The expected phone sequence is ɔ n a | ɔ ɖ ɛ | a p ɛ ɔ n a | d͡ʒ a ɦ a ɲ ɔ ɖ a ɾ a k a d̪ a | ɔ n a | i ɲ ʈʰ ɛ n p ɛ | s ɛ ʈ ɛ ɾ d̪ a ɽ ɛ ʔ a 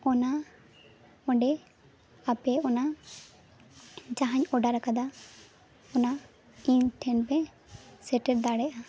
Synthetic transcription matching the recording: ɔ n a | ɔ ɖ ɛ | a p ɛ ɔ n a | d͡ʒ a ɦ a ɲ ɔ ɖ a ɾ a k a d̪ a | ɔ n a | i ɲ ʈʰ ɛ n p ɛ | s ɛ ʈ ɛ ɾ d̪ a ɽ ɛ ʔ a